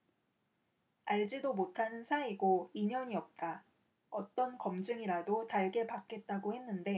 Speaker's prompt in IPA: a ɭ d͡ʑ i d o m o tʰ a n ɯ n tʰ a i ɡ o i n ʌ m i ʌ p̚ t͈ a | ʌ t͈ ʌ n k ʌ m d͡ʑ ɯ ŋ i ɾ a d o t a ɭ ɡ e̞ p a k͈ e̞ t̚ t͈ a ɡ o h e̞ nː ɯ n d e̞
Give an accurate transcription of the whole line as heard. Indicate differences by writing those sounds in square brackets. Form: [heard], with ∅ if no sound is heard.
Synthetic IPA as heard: a ɭ d͡ʑ i d o m o tʰ a n ɯ n [sʰ] a i ɡ o i [ɲ] ʌ [ɲ] i ʌ p̚ t͈ a | ʌ t͈ ʌ n k ʌ m d͡ʑ ɯ ŋ i ɾ a d o t a ɭ ɡ e̞ p a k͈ e̞ t̚ t͈ a ɡ o h e̞ nː ɯ n d e̞